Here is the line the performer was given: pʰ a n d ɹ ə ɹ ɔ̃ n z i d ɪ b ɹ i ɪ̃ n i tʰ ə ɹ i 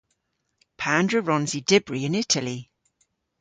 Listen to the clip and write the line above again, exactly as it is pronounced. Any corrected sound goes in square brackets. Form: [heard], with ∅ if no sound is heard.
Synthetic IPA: pʰ a n d ɹ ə ɹ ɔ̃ n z i d ɪ b ɹ i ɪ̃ n [ɪ] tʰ ə [l] i